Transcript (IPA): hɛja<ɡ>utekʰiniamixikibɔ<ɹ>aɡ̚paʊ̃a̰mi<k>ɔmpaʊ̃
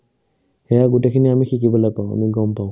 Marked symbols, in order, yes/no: yes, no, no

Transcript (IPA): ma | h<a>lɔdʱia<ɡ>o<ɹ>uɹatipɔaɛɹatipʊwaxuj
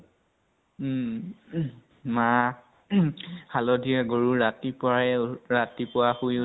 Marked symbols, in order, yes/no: yes, yes, yes

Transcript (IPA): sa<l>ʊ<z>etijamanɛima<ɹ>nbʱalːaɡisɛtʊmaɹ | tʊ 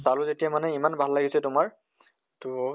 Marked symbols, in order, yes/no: yes, yes, no

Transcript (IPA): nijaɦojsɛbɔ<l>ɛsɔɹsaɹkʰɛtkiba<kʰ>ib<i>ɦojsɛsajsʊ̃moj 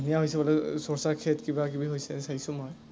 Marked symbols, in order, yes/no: yes, no, yes

